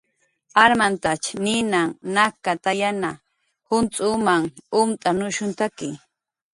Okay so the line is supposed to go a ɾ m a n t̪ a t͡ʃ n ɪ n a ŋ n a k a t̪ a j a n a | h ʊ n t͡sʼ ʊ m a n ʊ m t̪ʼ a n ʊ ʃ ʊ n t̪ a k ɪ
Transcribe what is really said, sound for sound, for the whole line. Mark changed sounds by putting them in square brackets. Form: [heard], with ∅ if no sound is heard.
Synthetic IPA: a ɾ m a n t̪ a t͡ʃ n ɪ n a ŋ n a k a t̪ a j a n a | h ʊ n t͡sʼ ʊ m a [ŋ] ʊ m t̪ʼ a n ʊ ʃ ʊ n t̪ a k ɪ